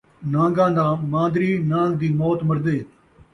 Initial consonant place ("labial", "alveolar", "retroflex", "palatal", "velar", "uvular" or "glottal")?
alveolar